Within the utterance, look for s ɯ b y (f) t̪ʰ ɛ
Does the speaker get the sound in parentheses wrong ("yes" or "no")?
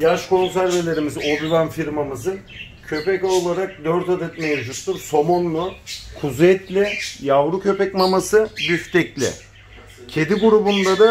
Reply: no